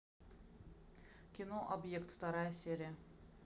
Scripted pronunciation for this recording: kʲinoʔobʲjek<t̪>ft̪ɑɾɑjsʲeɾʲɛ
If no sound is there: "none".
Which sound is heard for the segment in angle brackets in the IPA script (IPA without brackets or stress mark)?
t̪